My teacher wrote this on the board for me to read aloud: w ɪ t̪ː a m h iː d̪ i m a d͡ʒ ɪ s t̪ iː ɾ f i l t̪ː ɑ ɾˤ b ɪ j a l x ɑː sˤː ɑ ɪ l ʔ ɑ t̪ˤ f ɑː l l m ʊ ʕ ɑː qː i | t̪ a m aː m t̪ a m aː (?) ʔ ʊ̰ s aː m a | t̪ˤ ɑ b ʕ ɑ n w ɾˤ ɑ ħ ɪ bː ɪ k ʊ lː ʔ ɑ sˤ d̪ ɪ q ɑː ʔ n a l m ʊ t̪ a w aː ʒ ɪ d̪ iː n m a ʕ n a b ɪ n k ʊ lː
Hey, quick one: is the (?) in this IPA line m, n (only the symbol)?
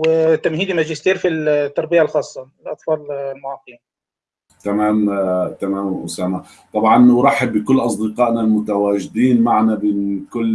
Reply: m